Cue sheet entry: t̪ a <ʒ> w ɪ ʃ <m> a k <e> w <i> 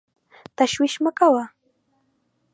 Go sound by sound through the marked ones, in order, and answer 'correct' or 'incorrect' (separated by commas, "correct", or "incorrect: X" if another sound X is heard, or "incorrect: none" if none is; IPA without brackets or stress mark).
incorrect: ʃ, correct, incorrect: a, incorrect: a